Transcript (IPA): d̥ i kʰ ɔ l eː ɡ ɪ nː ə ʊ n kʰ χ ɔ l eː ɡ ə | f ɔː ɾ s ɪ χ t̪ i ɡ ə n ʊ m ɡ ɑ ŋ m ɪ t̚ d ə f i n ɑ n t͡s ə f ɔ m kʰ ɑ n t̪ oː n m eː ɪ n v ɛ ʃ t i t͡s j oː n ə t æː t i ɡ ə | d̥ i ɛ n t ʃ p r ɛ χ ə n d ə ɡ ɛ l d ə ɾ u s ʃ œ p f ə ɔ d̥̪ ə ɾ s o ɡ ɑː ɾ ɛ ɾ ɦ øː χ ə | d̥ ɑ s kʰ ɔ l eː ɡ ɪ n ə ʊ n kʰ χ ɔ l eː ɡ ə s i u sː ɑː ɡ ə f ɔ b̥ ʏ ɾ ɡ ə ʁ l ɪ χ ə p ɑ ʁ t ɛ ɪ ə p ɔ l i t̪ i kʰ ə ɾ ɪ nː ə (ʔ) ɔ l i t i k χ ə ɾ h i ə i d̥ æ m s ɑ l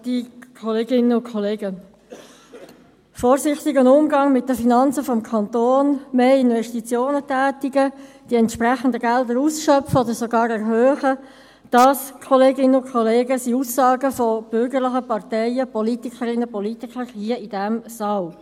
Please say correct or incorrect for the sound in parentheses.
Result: incorrect: p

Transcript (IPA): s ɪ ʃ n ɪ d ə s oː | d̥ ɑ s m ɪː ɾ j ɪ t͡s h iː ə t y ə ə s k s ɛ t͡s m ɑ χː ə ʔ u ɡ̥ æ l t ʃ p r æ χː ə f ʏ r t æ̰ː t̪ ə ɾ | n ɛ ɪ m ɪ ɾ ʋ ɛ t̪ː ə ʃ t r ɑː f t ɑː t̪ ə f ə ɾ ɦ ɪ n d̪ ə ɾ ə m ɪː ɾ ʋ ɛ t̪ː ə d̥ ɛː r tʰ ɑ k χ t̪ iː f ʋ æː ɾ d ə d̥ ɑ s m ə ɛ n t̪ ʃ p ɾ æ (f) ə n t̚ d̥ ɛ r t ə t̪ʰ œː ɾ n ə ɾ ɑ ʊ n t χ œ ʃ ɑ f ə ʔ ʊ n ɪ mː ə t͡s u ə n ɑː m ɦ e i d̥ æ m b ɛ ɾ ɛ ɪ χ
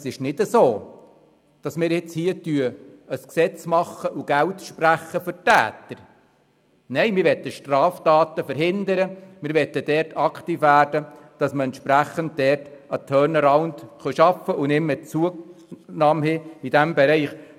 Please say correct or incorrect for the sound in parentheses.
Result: incorrect: χ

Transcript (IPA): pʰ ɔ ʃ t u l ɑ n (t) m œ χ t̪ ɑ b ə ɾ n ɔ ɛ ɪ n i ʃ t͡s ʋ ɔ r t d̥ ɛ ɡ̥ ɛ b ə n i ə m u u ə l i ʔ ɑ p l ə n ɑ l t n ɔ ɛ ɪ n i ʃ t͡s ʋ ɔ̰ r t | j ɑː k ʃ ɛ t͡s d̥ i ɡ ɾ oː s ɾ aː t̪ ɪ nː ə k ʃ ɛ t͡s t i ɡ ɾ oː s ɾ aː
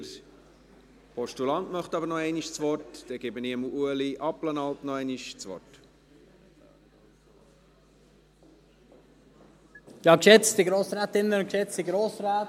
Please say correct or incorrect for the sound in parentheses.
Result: correct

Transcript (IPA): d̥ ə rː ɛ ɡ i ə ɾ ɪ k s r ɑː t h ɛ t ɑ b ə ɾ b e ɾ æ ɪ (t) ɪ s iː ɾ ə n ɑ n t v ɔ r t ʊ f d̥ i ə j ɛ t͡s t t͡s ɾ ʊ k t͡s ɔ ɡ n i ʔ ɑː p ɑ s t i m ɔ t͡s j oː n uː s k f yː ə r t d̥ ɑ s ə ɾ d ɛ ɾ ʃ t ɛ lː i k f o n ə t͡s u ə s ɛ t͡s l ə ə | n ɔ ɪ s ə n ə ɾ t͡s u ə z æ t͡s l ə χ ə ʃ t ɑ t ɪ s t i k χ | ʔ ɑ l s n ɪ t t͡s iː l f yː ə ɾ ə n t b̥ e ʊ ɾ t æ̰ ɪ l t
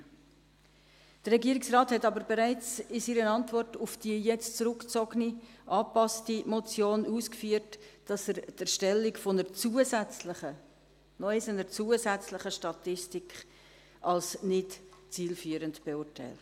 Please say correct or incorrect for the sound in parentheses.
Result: incorrect: t͡s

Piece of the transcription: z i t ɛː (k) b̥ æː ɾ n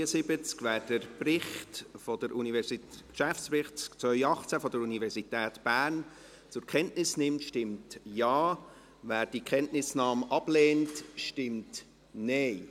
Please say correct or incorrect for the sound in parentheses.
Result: incorrect: t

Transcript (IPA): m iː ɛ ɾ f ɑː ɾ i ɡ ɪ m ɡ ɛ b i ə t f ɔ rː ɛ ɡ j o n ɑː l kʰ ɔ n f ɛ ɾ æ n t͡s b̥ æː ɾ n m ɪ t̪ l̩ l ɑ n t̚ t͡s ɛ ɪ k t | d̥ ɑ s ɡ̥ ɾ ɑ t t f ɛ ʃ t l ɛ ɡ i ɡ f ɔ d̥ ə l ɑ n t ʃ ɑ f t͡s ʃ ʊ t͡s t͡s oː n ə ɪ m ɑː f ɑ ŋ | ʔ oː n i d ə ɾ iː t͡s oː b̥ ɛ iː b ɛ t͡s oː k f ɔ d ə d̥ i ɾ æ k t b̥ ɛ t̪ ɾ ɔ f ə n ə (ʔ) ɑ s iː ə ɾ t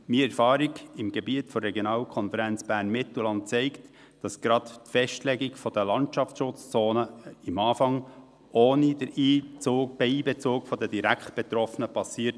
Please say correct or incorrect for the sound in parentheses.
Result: incorrect: p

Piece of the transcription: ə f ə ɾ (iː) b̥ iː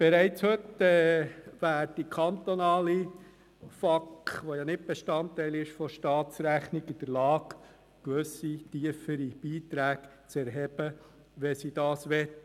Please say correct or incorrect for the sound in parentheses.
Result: incorrect: i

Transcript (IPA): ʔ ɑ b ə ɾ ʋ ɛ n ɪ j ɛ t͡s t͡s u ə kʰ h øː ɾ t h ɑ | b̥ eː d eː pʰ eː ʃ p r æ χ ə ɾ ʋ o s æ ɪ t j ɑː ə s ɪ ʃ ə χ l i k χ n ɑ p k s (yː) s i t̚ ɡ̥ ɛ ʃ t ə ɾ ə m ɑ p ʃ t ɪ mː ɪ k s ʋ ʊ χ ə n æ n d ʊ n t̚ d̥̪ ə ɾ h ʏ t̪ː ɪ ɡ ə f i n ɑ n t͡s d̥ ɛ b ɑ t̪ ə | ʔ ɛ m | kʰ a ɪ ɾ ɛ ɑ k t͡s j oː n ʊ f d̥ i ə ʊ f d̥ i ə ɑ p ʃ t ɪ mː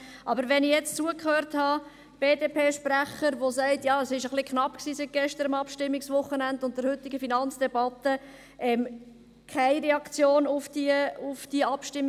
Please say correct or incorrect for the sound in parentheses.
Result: incorrect: iː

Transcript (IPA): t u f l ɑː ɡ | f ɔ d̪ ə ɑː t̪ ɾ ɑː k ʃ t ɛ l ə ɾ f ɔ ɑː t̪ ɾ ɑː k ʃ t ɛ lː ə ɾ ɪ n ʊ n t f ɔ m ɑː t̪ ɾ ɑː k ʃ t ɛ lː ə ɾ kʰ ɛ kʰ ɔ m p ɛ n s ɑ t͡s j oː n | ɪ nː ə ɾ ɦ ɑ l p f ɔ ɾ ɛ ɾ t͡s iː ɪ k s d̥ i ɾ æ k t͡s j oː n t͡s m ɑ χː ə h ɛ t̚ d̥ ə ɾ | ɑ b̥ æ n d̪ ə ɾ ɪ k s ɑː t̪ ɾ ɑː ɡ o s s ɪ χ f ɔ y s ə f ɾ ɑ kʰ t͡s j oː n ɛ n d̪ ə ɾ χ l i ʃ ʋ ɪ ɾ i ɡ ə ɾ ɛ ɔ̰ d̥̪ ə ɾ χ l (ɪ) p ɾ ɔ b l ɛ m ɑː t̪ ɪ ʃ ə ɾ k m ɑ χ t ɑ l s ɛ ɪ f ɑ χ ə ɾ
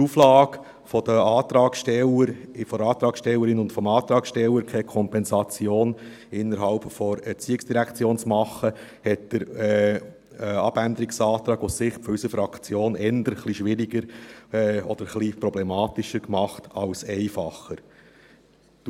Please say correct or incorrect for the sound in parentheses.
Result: incorrect: i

